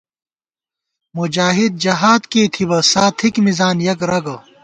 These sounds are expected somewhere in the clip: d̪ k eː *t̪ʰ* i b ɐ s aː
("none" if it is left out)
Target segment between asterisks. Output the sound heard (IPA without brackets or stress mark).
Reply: t̪ʰ